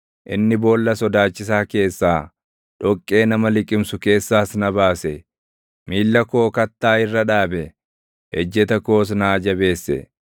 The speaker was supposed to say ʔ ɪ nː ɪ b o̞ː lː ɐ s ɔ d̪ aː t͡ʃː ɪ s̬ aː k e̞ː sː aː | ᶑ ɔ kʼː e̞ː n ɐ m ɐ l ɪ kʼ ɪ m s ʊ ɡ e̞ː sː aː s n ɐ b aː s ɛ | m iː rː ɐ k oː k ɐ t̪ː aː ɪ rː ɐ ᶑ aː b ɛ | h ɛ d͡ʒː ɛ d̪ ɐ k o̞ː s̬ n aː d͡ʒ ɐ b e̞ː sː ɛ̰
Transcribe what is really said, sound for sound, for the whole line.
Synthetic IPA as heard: ʔ ɪ nː ɪ b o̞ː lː ɐ s ɔ d̪ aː t͡ʃː ɪ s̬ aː k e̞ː sː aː | ᶑ ɔ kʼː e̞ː n ɐ m ɐ l ɪ kʼ ɪ m s ʊ k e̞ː sː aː s n ɐ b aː s ɛ | m iː lː ɐ k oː k ɐ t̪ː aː ɪ rː ɐ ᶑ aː b ɛ | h ɛ d͡ʒː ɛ t̪ ɐ k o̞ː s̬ n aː d͡ʒ ɐ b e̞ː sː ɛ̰